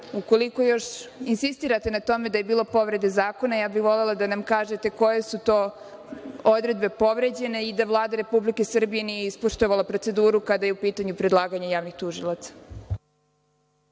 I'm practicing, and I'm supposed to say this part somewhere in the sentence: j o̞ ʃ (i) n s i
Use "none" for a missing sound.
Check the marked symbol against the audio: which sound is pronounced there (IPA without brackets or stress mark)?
i